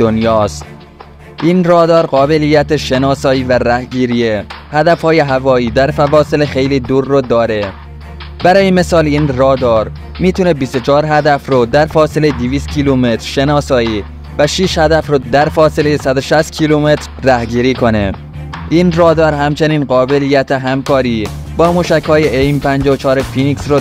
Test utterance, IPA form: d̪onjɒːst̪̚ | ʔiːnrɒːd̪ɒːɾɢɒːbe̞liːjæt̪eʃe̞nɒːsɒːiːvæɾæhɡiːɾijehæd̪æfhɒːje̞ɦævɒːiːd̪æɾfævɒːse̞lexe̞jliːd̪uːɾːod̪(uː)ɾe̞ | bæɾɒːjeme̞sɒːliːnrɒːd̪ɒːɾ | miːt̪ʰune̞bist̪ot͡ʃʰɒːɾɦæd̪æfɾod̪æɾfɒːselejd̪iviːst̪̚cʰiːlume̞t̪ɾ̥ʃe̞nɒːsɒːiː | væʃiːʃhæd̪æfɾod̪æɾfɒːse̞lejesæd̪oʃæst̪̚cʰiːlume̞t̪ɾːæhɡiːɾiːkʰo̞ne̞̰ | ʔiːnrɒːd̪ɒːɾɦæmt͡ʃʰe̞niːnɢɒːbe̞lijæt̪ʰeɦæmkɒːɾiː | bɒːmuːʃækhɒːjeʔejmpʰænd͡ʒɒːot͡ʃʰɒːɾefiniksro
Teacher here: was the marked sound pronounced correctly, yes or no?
no